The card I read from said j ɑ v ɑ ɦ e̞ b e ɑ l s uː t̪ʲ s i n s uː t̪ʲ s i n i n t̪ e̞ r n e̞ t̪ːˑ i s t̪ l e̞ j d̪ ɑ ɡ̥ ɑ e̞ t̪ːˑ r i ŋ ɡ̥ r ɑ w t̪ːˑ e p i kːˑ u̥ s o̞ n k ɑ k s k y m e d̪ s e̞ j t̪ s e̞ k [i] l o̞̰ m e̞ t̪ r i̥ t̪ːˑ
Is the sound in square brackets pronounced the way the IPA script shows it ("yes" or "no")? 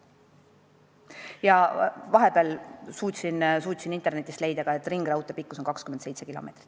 yes